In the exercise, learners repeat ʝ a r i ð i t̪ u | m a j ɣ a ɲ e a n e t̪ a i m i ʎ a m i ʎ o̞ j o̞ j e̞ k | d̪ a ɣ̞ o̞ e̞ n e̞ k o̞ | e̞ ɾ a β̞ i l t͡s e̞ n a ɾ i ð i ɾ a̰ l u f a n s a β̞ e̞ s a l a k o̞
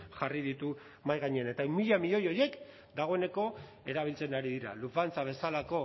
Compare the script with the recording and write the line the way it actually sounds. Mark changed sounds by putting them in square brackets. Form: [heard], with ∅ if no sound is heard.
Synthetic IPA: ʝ a r i ð i t̪ u | m a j ɣ a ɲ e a n e t̪ a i m i ʎ a m i ʎ o̞ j o̞ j e̞ k | d̪ a ɣ̞ o̞ e̞ n e̞ k o̞ | e̞ ɾ a β̞ i l t͡s e̞ n a ɾ i ð i ɾ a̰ l u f a n [t͡s] a β̞ e̞ s a l a k o̞